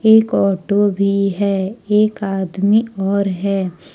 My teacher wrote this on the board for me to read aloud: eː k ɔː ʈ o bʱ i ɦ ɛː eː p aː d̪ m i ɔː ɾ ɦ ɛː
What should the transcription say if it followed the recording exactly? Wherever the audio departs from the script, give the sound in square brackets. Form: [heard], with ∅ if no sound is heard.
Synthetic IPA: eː k ɔː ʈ o bʱ i ɦ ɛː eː [k] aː d̪ m i ɔː ɾ ɦ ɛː